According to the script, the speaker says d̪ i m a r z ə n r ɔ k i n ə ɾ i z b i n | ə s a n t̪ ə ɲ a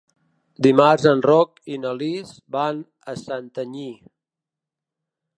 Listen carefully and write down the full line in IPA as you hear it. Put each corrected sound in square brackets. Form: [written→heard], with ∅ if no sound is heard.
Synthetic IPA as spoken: d̪ i m a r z ə n r ɔ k i n ə [ɾ→l] i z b [i→a] n | ə s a n t̪ ə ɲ [a→i]